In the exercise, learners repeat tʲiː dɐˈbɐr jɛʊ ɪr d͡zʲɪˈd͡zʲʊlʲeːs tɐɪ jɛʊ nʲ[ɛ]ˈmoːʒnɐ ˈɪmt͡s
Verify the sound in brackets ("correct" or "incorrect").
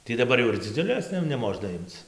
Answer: correct